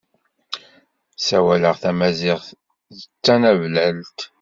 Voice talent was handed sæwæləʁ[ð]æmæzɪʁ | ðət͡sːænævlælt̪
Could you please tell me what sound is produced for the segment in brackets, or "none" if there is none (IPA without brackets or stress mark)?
θ